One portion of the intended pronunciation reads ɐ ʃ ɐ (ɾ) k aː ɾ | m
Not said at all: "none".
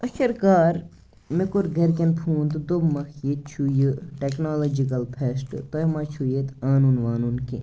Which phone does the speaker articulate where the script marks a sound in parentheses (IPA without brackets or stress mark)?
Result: ɾ